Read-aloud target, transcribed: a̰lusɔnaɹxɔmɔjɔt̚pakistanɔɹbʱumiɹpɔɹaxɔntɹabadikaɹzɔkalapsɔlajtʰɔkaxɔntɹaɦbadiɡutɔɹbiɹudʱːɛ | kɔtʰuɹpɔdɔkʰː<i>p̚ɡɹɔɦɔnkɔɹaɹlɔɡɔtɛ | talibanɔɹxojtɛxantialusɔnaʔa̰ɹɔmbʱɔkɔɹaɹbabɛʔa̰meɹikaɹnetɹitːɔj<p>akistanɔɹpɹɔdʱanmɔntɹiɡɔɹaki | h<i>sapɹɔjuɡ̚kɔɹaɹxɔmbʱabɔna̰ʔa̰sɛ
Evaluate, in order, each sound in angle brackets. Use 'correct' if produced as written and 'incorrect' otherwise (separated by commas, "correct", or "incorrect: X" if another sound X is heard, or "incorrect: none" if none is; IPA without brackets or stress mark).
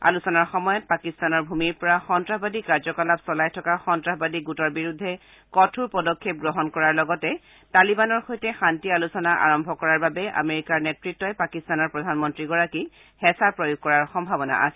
incorrect: e, correct, incorrect: ɛ